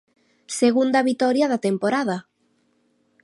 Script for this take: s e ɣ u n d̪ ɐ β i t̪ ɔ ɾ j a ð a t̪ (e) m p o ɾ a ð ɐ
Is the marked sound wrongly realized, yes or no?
no